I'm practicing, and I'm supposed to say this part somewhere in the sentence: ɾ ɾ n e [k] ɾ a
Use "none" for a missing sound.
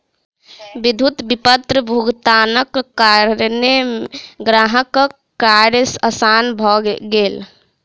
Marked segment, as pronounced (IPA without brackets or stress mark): ɡ